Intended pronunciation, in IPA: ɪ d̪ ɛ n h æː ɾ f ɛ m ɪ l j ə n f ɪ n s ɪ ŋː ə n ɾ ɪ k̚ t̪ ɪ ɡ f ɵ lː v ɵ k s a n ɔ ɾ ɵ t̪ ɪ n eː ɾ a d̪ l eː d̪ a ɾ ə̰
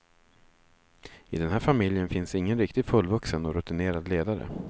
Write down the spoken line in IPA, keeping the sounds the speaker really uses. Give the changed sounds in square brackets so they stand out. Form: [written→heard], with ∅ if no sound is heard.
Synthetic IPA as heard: ɪ d̪ ɛ n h æː ɾ f [ɛ→a] m ɪ l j ə n f ɪ n s ɪ ŋː ə n ɾ ɪ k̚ t̪ ɪ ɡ f ɵ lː v ɵ k s [a→ə] n ɔ ɾ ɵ t̪ ɪ n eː ɾ a d̪ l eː d̪ a ɾ ə̰